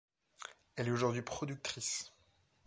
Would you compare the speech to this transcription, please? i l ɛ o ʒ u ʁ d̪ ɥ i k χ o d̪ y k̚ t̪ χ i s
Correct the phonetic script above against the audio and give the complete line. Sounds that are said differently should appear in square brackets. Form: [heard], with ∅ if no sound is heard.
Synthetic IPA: [ɛ] l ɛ o ʒ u ʁ d̪ ɥ i [p] χ [ɔ] d̪ y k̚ t̪ χ i s